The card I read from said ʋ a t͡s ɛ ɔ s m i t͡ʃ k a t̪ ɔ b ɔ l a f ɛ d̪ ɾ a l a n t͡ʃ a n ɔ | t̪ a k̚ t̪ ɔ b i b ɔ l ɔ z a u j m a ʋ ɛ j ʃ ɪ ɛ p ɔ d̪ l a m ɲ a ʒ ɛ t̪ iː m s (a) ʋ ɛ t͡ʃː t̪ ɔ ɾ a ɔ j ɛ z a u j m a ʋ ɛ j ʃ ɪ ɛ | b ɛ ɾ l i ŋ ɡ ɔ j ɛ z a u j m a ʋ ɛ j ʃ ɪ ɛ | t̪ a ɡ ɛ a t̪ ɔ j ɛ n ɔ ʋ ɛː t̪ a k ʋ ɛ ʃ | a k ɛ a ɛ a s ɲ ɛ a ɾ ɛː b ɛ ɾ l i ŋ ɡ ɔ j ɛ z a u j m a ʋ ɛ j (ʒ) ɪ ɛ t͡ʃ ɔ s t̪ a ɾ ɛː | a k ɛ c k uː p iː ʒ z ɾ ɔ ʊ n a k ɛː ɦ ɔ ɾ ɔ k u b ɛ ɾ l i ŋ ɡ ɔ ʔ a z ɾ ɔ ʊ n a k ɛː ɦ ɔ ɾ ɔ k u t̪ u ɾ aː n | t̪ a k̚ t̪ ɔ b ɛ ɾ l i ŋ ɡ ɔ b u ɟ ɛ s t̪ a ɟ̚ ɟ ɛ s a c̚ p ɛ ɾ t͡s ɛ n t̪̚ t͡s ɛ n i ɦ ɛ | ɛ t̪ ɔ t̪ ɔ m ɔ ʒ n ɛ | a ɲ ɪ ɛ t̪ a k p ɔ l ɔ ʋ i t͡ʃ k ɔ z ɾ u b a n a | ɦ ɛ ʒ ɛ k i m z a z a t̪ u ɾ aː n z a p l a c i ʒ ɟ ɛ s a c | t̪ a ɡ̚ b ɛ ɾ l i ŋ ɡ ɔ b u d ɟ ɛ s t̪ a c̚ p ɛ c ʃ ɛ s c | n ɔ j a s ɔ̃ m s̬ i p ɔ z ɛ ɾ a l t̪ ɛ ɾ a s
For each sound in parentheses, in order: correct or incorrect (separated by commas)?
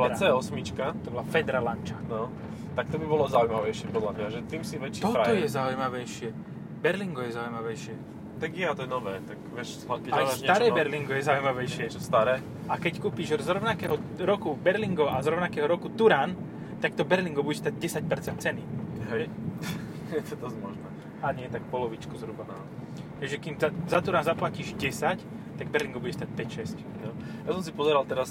incorrect, incorrect